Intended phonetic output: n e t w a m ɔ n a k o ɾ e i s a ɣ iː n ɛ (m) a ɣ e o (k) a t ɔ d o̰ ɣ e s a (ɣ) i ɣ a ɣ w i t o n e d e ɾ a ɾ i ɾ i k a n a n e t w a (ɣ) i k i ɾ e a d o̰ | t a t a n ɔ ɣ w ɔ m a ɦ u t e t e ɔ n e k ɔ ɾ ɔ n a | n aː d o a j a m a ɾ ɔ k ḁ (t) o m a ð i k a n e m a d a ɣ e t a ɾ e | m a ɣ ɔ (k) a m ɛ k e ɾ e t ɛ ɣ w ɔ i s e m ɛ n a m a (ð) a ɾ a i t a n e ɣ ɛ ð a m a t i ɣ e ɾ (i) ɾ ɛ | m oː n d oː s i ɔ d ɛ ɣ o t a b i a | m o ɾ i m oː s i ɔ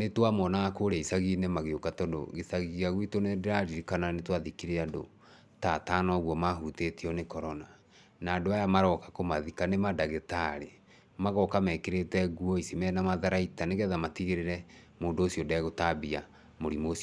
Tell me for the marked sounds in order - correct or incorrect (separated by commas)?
correct, correct, correct, incorrect, incorrect, correct, correct, incorrect